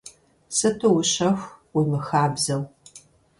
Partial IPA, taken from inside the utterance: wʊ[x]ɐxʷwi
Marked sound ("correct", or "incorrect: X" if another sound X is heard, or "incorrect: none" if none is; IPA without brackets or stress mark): incorrect: ɕ